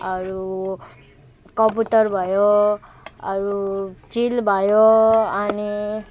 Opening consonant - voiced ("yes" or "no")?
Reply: yes